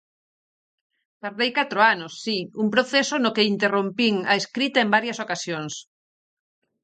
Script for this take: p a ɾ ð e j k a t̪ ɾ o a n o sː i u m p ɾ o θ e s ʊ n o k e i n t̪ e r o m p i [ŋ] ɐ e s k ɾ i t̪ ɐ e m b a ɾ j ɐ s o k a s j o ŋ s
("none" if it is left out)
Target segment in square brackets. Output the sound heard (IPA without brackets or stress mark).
ŋ